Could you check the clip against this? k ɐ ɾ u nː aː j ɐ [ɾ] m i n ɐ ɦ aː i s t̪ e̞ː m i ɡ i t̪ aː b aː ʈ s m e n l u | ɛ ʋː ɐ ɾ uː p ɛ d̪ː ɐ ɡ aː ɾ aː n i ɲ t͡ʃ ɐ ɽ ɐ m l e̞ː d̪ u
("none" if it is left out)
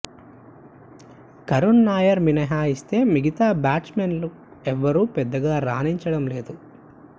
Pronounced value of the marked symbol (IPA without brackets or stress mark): ɾ